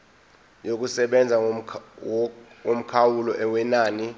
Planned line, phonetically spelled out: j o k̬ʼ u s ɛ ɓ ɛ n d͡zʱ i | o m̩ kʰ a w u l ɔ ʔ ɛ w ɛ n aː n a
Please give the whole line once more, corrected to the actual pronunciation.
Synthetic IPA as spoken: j o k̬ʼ u s ɛ ɓ ɛ n d͡zʱ a | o m̩ kʰ a w u l ɔ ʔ ɛ w ɛ n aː n i